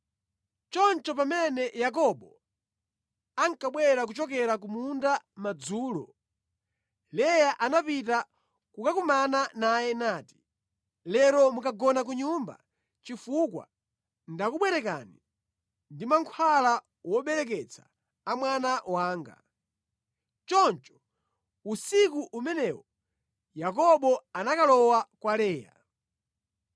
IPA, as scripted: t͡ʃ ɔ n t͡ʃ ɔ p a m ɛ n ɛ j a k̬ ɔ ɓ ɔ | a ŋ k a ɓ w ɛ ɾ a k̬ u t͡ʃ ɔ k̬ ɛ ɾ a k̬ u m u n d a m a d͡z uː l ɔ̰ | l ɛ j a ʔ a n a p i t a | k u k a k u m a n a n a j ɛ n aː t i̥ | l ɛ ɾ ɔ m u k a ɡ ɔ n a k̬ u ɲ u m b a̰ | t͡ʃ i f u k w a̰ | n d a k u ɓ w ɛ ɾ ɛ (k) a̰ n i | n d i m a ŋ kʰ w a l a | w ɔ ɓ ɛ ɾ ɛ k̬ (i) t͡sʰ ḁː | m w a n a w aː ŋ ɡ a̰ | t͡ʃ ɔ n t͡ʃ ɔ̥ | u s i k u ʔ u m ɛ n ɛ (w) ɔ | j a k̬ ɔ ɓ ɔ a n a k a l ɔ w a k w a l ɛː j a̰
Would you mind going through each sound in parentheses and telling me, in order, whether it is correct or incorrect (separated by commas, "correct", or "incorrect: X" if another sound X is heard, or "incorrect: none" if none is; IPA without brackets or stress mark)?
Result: correct, incorrect: ɛ, correct